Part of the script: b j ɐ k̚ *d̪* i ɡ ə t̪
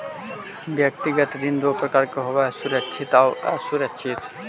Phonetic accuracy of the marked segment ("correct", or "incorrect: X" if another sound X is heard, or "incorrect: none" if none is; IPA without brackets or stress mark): incorrect: t̪